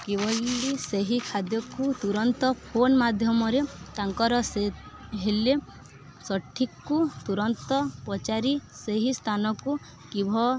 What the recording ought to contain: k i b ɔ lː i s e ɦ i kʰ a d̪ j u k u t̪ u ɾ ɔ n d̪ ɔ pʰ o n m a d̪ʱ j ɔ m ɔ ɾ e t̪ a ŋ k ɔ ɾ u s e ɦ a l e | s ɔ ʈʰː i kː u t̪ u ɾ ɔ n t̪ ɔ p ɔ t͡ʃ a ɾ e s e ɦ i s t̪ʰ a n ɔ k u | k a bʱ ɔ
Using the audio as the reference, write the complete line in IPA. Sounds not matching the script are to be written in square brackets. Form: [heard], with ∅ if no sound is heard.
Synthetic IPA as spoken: k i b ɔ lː i s e ɦ i kʰ a d̪ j [ɔ] k u t̪ u ɾ ɔ n [t̪] ɔ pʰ o n m a d̪ʱ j ɔ m ɔ ɾ e t̪ a ŋ k ɔ ɾ [ɔ] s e ɦ [e] l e | s ɔ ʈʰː i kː u t̪ u ɾ ɔ n t̪ ɔ p ɔ t͡ʃ a ɾ [i] s e ɦ i s t̪ʰ a n ɔ k u | k [i] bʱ ɔ